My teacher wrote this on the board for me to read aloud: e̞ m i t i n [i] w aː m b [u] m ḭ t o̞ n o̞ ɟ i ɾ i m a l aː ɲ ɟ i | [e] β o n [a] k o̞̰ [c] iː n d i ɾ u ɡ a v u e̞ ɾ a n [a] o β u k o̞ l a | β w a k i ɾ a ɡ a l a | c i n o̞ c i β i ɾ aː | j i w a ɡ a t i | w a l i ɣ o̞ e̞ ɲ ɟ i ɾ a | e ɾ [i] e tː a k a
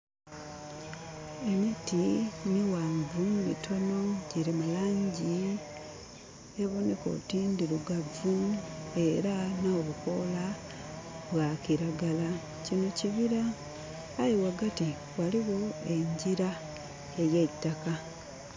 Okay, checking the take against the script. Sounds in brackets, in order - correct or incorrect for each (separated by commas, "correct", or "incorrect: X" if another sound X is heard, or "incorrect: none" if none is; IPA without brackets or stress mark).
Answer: correct, correct, correct, incorrect: e, incorrect: t, correct, incorrect: j